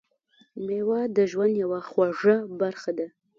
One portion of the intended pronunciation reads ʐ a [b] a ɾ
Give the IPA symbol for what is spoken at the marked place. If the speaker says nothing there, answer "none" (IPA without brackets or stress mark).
b